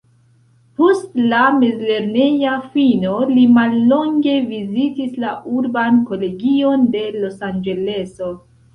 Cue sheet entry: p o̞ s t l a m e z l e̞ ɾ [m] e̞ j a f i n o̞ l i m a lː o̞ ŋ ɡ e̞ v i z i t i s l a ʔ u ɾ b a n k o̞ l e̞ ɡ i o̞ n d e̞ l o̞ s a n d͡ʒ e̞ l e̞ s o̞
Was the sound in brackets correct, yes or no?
no